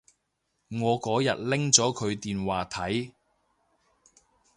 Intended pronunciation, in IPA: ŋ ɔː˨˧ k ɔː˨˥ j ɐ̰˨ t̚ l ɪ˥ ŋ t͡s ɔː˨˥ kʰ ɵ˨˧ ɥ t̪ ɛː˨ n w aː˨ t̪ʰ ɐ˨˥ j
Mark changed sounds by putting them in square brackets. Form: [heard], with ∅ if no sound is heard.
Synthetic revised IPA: ŋ ɔː˨˧ k ɔː˨˥ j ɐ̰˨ t̚ l ɪ˥ ŋ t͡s ɔː˨˥ kʰ ɵ˨˧ ɥ t̪ [iː˨] n w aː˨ t̪ʰ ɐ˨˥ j